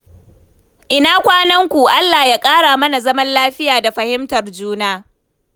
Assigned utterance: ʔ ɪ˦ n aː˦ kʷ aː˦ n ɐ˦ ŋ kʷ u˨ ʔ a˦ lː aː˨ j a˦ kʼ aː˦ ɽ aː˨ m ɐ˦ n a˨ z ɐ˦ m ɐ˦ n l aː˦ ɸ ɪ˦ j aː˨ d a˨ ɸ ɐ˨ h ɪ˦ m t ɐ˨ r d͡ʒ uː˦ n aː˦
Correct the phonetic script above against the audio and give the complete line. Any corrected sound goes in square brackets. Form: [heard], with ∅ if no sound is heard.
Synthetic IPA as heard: ʔ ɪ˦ n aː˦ kʷ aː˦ n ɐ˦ ŋ kʷ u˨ ʔ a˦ lː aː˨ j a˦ kʼ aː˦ ɽ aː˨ m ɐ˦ n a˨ z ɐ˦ m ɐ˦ n l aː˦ ɸ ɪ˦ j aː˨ d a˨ ɸ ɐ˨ h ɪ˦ m t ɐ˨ r d͡ʒ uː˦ n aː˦